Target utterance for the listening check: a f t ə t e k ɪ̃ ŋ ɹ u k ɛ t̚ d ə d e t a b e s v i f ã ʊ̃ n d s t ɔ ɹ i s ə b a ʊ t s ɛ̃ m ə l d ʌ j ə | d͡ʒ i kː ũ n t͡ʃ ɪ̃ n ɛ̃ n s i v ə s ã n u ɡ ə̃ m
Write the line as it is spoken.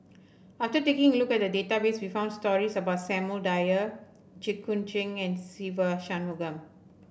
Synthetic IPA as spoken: a f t ə t e k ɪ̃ ŋ l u k ɛ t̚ d ə d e t a b e s w i f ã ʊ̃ n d s t ɔ ɹ i s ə b a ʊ t s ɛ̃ m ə l d a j ə | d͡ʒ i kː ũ n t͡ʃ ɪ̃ ŋ ɛ̃ n s i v ə ʃ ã n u ɡ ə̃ m

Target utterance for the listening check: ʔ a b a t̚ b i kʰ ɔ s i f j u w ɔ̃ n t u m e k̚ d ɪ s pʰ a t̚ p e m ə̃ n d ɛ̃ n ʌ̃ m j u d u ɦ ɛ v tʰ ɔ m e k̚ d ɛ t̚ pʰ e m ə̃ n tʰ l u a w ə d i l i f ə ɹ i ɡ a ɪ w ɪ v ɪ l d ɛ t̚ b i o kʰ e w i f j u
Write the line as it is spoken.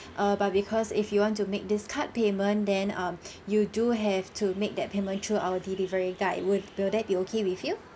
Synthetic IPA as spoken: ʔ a b a t̚ b i kʰ ɔ s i f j u w ɔ̃ n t u m e k̚ d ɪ s kʰ a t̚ p e m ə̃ n d ɛ̃ n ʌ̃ m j u d u ɦ ɛ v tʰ u m e k̚ d ɛ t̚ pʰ e m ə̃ n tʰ ɹ u a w ə d i l i v ə ɹ i ɡ a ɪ w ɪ w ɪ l d ɛ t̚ b i o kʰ e w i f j u

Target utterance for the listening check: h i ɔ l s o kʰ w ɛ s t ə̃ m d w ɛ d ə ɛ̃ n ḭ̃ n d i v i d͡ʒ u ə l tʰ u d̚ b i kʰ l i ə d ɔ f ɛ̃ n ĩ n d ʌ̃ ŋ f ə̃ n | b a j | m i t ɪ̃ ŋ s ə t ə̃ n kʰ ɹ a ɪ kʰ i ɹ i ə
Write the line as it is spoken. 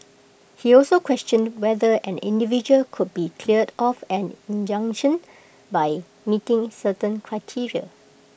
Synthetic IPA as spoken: h i ɔ l s o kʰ w ɛ s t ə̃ n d w ɛ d ə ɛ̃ n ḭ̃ n d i v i d͡ʒ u ə l kʰ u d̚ b i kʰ l i ə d ɔ f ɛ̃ n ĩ n d͡ʒ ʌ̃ ŋ ʃ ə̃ n | b a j | m i t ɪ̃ ŋ s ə t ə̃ n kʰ ɹ a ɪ tʰ i ɹ i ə

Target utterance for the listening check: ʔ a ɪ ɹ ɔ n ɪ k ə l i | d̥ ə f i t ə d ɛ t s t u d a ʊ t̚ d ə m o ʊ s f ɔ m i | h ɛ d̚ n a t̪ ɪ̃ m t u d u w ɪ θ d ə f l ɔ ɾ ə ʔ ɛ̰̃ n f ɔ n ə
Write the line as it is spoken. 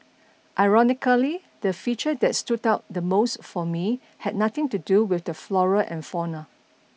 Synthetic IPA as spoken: ʔ a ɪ ɹ ɔ n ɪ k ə l i | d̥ ə f i t͡ʃ ə d ɛ t s t u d a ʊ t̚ d ə m o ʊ s f ɔ m i | h ɛ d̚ n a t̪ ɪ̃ ŋ t u d u w ɪ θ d ə f l ɔ ɹ ə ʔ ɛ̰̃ n f ɔ n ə

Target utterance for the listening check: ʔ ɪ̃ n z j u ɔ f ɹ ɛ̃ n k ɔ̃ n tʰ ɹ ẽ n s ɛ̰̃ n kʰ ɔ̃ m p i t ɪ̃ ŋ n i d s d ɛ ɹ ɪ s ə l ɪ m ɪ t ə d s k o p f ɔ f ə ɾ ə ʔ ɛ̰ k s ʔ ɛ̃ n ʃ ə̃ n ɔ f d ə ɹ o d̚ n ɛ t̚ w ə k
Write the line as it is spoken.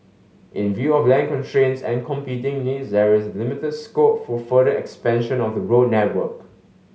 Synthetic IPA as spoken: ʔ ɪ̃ n v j u ɔ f l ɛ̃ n k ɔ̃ n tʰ ɹ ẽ n s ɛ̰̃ n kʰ ɔ̃ m p i t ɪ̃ ŋ n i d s d ɛ ɹ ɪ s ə l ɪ m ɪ t ə d s k o p f ɔ f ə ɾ ə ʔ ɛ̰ k s p ɛ̃ n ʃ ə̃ n ɔ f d ə ɹ o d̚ n ɛ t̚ w ə k

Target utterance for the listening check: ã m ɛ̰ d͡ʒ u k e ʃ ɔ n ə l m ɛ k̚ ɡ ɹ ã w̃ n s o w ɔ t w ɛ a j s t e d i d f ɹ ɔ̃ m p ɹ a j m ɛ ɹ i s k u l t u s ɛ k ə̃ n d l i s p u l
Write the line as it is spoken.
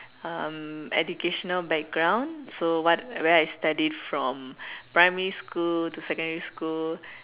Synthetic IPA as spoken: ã m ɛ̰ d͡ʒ u k e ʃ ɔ n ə l b ɛ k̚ ɡ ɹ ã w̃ n s o w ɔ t w ɛ a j s t a d i d f ɹ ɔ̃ m p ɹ a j m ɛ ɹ i s k u l t u s ɛ k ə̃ n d ɹ i s k u l

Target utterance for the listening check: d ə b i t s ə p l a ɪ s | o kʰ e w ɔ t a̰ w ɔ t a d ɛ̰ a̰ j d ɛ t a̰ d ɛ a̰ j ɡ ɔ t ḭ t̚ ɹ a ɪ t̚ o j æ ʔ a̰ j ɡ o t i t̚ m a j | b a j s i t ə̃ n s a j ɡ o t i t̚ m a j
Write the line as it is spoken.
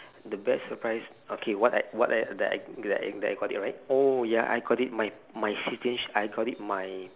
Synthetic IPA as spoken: d ə b ɛ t s ə p ɹ a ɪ s | o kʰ e w ɔ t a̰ w ɔ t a d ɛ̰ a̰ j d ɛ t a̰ d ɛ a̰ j ɡ ɔ t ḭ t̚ ɹ a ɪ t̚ o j a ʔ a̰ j ɡ ɔ t i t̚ m a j | m a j s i t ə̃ n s a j ɡ ɔ t i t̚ m a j

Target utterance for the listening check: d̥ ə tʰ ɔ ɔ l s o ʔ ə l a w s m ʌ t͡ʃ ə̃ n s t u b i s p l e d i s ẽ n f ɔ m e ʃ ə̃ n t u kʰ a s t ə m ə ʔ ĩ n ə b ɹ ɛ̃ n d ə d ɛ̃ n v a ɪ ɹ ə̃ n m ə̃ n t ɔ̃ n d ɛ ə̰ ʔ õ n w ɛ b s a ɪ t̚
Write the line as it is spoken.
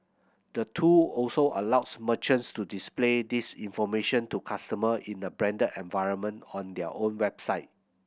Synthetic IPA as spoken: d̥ ə tʰ u ɔ l s o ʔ ə l a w s m ə t͡ʃ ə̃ n s t u d i s p l e d i s ĩ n f ɔ m e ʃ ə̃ n t u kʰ a s t ə m ə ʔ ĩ n ə b ɹ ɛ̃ n d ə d ɛ̃ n v a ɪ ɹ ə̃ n m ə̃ n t ɔ̃ n d ɛ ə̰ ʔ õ n w ɛ b s a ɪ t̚

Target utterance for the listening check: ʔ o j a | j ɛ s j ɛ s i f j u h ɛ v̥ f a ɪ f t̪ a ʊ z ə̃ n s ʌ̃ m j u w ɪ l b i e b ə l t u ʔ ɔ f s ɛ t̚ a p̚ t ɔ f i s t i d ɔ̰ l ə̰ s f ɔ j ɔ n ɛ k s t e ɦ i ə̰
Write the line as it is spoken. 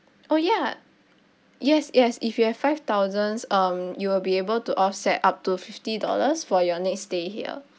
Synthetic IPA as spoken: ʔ o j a | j ɛ s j ɛ s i f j u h ɛ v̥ f a ɪ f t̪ a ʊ z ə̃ n s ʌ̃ m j u w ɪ l b i e b ə l t u ʔ ɔ f s ɛ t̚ a p̚ t u f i f t i d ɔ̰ l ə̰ s f ɔ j ɔ n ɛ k s t e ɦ i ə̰

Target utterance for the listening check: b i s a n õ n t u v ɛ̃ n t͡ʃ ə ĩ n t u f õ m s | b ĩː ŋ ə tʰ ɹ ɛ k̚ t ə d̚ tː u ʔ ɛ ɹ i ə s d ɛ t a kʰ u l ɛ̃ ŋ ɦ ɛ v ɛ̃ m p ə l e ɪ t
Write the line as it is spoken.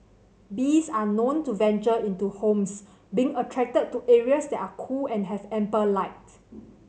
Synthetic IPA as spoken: b i s a n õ n t u v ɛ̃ n t͡ʃ ə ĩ n t u h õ m s | b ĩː ŋ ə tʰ ɹ ɛ k̚ t ə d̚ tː u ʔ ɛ ɹ i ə s d ɛ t a kʰ u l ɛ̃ n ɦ ɛ v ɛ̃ m p ə l a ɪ t

